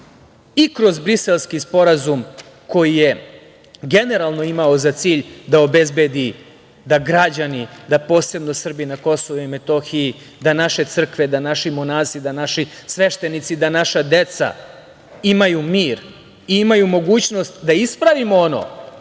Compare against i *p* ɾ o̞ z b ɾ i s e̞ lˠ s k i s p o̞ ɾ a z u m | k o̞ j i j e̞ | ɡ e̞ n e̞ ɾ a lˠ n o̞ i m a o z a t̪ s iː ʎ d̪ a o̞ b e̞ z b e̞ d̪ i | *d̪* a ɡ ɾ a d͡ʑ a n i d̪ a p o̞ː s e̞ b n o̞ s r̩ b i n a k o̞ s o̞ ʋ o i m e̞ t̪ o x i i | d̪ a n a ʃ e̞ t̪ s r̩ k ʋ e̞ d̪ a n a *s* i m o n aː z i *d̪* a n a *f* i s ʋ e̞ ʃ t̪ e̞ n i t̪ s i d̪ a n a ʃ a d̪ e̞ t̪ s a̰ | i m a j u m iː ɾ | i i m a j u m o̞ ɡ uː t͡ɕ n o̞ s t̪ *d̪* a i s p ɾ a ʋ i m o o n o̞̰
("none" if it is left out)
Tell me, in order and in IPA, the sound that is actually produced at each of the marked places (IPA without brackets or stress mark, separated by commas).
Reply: k, d̪, ʃ, d̪, ʃ, d̪